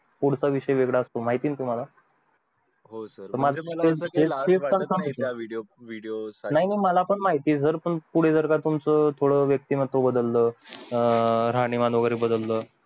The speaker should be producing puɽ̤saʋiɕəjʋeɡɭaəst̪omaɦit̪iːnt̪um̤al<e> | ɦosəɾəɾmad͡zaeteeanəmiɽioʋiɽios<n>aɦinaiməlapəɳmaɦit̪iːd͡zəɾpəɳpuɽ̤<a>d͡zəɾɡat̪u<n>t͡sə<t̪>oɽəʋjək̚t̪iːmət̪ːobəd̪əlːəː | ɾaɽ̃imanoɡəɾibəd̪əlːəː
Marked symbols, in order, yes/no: no, yes, no, no, no

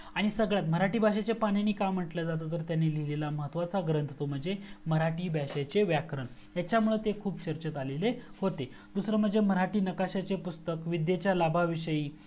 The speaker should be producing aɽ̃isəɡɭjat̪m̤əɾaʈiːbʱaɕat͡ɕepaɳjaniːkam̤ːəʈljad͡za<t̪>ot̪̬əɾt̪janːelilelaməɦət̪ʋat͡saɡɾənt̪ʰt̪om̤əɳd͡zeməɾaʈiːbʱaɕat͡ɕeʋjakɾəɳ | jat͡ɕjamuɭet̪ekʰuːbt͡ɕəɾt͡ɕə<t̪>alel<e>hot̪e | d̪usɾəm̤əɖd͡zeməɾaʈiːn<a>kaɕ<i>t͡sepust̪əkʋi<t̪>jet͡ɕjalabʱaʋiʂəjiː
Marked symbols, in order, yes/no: yes, yes, yes, no, no, no

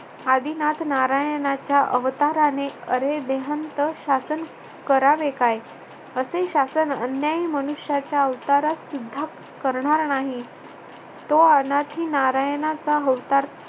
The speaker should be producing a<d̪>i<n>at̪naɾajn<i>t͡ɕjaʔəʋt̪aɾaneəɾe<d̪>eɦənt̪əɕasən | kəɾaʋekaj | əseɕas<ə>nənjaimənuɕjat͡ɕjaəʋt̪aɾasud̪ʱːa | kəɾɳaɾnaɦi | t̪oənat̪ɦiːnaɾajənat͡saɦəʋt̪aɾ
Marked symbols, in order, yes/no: yes, yes, no, yes, yes

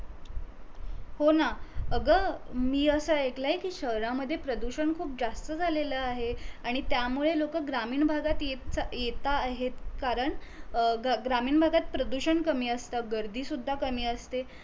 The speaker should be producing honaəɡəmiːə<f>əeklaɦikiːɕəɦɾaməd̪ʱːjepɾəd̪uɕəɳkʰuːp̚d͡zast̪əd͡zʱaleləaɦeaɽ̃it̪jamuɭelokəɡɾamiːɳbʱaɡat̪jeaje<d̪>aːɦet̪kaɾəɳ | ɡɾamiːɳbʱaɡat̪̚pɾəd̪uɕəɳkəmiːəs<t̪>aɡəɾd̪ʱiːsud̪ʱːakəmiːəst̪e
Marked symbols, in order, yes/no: no, no, yes

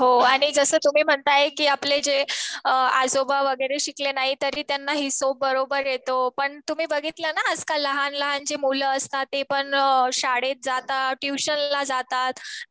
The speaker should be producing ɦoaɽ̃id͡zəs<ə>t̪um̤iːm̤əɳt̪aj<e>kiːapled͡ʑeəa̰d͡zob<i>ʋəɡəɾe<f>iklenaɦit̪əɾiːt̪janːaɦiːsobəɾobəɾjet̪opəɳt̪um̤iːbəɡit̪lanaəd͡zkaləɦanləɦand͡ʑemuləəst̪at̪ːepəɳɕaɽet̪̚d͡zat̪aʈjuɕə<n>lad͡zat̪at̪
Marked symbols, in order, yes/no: no, yes, no, no, yes

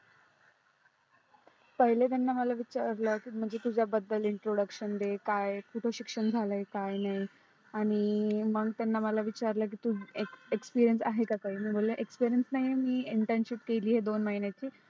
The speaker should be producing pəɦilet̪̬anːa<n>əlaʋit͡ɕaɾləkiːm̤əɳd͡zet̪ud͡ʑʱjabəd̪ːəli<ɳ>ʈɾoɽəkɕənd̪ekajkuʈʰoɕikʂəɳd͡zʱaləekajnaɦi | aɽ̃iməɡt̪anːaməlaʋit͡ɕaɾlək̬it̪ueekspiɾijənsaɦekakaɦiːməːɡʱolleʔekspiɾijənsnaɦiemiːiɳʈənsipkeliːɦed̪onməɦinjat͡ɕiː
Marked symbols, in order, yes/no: no, yes

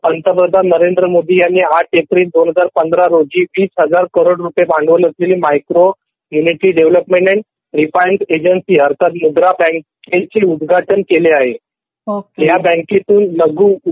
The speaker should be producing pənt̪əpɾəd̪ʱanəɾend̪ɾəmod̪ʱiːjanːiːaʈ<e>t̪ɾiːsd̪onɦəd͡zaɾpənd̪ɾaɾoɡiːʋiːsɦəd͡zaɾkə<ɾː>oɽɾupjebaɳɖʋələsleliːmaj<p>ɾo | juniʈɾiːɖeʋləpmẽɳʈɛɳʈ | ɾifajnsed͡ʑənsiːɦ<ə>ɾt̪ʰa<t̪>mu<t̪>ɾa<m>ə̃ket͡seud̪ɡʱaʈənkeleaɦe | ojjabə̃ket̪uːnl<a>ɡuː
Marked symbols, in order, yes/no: yes, no, no, yes, yes, no, no, no

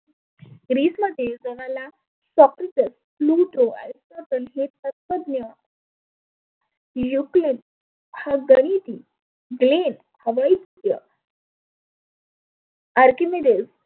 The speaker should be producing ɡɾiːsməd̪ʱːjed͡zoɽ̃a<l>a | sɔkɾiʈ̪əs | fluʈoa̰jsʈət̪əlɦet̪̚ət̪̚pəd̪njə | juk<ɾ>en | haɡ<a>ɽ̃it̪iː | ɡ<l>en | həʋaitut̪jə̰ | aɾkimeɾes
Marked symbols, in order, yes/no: yes, no, no, yes

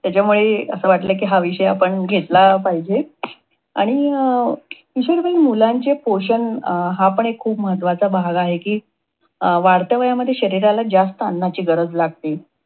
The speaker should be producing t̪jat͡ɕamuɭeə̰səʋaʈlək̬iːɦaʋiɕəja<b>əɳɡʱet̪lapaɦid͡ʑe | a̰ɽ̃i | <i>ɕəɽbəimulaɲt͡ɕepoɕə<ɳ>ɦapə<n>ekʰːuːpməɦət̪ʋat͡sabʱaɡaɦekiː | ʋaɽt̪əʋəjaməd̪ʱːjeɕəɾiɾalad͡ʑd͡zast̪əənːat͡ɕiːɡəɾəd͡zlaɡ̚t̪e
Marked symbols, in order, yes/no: no, yes, no, no

